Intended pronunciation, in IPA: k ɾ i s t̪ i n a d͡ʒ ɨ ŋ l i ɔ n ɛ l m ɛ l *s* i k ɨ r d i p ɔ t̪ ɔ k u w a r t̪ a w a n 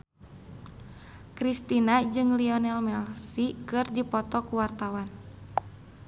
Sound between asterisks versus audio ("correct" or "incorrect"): correct